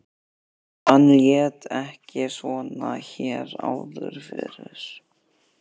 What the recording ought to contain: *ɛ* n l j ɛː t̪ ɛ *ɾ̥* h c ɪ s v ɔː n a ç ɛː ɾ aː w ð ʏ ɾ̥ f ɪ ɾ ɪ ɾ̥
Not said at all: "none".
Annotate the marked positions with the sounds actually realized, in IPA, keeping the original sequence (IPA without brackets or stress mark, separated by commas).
a, none